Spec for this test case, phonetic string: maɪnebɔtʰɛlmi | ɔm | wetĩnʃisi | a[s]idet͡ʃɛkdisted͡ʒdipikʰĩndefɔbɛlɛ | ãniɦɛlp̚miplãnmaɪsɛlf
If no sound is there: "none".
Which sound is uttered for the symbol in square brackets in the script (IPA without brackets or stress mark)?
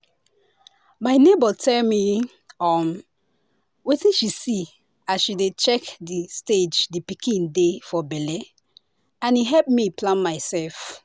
ʃ